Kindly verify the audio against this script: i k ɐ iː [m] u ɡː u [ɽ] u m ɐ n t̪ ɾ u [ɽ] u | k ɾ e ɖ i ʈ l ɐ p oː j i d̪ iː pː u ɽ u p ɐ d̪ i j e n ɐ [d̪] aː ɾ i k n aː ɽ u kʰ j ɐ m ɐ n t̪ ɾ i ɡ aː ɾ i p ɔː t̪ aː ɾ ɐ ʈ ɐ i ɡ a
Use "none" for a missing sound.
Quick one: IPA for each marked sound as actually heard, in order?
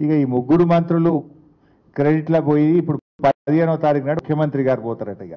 m, ɽ, l, t̪

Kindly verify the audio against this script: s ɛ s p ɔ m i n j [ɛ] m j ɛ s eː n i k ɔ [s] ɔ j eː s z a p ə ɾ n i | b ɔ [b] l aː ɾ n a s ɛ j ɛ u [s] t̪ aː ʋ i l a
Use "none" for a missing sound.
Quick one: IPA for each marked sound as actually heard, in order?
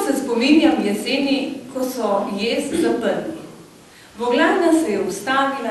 a, s, ɡ, s

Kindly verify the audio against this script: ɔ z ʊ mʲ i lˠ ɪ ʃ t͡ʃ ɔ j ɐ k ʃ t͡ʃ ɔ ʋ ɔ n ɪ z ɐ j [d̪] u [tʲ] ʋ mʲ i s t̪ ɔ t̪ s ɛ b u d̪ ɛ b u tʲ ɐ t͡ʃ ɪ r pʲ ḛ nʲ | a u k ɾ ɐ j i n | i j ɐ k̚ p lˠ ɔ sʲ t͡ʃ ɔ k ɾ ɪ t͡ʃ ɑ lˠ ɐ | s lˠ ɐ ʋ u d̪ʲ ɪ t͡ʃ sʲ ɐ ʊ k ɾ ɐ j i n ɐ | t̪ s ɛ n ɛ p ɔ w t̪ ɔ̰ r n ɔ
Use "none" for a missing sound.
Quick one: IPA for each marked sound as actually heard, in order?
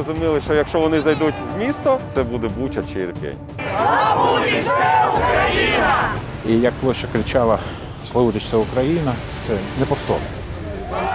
d̪, tʲ

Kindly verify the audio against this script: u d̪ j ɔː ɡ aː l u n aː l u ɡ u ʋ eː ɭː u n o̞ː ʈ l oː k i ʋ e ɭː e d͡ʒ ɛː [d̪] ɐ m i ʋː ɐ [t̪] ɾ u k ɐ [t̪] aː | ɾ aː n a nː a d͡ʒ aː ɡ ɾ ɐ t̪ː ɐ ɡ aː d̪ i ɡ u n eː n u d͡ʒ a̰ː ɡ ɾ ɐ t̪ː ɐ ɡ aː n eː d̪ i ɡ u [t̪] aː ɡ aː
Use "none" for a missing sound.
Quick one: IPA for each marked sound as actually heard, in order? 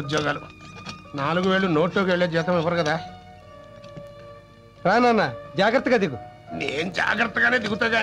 t̪, none, d̪, t̪

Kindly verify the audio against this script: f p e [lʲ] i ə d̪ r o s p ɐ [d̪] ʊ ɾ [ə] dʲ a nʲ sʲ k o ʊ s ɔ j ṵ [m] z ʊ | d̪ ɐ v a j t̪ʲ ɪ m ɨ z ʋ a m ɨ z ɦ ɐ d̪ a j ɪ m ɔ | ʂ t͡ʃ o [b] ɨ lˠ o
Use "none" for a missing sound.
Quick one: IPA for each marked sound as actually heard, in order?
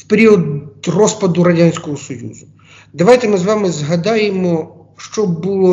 ɾʲ, d̪, ɐ, none, b

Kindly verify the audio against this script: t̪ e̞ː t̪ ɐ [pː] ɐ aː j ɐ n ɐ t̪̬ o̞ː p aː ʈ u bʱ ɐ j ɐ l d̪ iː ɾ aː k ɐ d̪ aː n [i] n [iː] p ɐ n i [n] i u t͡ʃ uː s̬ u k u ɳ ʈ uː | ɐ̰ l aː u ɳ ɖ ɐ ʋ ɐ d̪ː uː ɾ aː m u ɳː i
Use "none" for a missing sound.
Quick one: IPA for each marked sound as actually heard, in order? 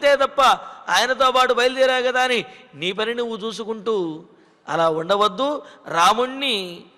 pː, i, iː, n

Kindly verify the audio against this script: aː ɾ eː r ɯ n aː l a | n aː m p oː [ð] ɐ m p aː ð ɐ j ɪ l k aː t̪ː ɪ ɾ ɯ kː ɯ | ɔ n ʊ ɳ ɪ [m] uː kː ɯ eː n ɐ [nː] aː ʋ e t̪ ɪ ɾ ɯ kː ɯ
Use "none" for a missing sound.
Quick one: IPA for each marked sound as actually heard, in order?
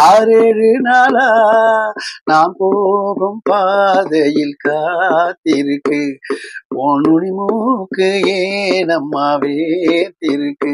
ɣ, m, mː

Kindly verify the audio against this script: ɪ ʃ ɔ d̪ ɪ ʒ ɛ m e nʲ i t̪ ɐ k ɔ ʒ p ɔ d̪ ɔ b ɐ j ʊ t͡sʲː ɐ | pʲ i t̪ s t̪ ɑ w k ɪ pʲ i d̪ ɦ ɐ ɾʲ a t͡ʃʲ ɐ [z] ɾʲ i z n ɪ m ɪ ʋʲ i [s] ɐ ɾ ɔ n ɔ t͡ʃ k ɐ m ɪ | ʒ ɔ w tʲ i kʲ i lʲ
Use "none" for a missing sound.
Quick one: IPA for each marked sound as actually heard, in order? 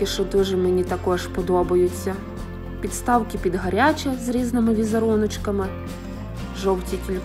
z, z

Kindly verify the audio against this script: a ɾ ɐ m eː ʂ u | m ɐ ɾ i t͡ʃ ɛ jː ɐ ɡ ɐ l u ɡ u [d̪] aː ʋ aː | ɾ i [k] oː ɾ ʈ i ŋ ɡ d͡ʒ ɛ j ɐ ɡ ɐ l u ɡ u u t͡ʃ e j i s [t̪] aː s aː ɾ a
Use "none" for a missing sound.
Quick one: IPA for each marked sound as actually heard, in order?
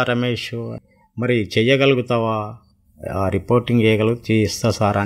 t̪, p, t̪

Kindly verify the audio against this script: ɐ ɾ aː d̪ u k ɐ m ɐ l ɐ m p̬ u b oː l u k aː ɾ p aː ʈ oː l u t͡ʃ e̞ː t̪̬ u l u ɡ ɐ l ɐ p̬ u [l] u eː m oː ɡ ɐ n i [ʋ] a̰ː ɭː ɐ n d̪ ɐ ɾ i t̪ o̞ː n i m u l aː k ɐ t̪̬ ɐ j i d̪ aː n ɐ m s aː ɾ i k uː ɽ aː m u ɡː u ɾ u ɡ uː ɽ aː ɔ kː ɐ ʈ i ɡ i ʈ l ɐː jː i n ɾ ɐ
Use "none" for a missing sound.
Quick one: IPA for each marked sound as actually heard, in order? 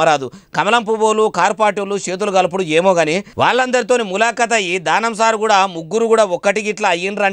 ɽ, ʋ

